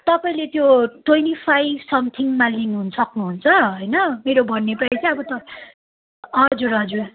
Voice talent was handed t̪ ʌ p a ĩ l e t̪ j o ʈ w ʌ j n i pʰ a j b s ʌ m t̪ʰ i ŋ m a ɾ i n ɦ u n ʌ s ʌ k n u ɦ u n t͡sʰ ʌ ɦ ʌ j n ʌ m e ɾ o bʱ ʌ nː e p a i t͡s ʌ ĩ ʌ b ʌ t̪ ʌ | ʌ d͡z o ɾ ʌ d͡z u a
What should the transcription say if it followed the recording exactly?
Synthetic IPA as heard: t̪ ʌ p a ĩ l e t̪ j o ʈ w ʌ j n i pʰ a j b s ʌ m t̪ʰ i ŋ m a l i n ɦ u n ʌ s ʌ k n u ɦ u n t͡sʰ ʌ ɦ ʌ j n ʌ m e ɾ o bʱ ʌ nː e p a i t͡s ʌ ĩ ʌ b ʌ t̪ ʌ | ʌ d͡z u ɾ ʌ d͡z u a